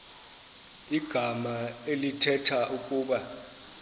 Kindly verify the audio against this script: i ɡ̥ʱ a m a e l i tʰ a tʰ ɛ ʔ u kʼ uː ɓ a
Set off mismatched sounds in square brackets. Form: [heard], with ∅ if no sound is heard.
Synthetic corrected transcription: i ɡ̥ʱ a m a e l i tʰ [ɛ] tʰ [a] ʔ u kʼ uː ɓ a